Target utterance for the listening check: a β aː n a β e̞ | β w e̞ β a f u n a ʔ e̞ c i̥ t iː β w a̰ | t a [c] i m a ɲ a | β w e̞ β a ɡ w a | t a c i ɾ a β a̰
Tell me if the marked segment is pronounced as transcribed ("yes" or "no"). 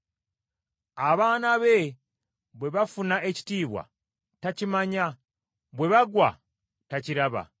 yes